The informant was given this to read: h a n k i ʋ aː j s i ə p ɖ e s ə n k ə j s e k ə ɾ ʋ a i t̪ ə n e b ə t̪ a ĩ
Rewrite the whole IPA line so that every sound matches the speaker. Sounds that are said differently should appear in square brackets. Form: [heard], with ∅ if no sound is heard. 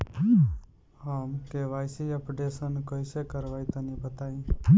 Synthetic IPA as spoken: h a [m] k [e] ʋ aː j s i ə p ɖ e s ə n k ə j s e k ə ɾ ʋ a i t̪ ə n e b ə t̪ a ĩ

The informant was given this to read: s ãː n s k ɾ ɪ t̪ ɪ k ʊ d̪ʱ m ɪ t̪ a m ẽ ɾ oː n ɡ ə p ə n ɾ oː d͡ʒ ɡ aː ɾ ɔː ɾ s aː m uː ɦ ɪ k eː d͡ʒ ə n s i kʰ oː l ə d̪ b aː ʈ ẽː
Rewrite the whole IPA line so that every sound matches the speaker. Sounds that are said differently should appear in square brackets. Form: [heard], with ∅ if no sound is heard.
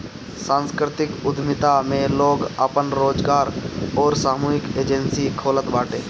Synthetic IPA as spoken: s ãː n s k ɾ ɪ t̪ ɪ k ʊ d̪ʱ m ɪ t̪ a m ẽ [l] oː [∅] ɡ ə p ə n ɾ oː d͡ʒ ɡ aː ɾ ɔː ɾ s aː m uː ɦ ɪ k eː d͡ʒ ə n s i kʰ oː l ə [t̪] b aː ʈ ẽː

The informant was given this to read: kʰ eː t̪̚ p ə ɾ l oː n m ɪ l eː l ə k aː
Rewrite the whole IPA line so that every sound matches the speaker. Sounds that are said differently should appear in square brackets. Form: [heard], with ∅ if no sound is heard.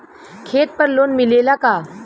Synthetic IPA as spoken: kʰ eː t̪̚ p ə ɾ l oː n m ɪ l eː l [a] k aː

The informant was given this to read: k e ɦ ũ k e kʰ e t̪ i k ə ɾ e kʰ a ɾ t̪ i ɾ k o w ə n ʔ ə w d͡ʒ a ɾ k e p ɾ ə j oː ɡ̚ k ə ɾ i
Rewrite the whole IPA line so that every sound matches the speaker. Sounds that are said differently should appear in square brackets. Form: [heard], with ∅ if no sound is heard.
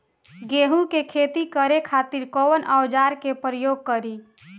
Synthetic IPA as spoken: [ɡ] e ɦ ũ k e kʰ e t̪ i k ə ɾ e kʰ a [∅] t̪ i ɾ k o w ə n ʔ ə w d͡ʒ a ɾ k e p ɾ ə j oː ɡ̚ k ə ɾ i

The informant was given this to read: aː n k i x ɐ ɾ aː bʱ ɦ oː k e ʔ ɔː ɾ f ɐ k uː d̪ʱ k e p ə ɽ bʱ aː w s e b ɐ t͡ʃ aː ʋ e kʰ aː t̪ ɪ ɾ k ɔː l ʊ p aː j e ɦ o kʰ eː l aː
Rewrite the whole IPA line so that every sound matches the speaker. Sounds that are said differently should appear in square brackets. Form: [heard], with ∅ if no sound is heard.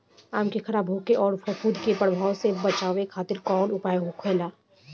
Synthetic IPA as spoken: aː [m] k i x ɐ ɾ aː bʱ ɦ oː k e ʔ ɔː ɾ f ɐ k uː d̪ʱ k e p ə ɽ bʱ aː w s e b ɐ t͡ʃ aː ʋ e kʰ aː t̪ ɪ ɾ k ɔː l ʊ p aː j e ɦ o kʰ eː l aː

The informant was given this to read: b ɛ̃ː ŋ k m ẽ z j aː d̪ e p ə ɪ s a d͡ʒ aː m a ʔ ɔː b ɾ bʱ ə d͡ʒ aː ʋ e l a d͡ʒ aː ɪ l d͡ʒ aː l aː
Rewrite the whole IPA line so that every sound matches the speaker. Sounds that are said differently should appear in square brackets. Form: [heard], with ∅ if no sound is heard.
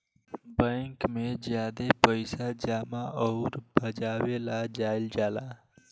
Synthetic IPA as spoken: b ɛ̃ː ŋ k m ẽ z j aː d̪ e p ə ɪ s a d͡ʒ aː m a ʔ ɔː [∅] ɾ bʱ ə d͡ʒ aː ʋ e l a d͡ʒ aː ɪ l d͡ʒ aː l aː

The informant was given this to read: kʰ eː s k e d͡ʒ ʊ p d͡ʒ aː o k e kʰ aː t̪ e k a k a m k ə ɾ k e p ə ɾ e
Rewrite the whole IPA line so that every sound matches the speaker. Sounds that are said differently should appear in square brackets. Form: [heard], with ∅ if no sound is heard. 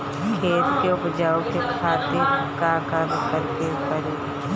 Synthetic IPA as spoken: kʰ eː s k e [∅] ʊ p d͡ʒ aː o k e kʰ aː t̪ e k a k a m k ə ɾ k e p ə ɾ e

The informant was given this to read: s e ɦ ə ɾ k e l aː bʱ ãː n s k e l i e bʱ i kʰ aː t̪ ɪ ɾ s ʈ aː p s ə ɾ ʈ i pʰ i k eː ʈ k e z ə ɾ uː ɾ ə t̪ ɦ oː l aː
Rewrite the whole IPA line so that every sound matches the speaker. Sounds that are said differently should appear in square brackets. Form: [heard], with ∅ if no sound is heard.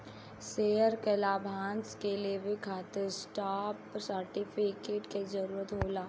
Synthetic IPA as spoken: s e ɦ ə ɾ k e l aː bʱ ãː n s k e l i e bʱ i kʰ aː t̪ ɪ ɾ s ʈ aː p s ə ɾ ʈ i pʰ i k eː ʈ k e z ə ɾ uː ɾ ə t̪ ɦ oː l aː

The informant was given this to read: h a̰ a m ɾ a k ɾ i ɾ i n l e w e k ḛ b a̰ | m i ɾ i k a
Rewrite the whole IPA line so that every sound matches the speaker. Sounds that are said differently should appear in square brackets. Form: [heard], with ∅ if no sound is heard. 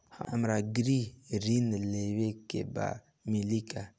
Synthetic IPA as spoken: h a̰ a m ɾ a [ɡ] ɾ i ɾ i n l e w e k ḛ b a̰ | m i [l] i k a

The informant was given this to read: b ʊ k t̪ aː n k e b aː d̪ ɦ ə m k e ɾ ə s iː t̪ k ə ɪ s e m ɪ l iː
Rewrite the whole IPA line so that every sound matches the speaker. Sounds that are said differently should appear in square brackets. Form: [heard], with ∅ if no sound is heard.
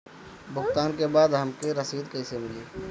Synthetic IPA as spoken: b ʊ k t̪ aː n k e b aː d̪ ɦ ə m k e ɾ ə s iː [d̪] k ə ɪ s e m ɪ l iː

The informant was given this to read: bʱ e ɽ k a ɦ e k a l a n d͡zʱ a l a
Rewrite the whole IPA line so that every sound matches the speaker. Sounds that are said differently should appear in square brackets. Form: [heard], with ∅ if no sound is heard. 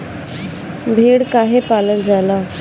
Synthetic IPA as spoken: bʱ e ɽ k a ɦ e [p] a l [ə] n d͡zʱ a l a

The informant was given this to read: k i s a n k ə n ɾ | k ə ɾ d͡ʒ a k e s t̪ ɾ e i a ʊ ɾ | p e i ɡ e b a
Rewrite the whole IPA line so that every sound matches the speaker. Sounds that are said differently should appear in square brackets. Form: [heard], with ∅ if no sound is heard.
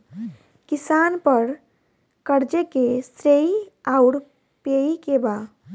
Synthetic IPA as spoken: k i s a n [p] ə [∅] ɾ | k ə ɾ d͡ʒ [e] k e s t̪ ɾ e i a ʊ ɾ | p e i [k] e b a

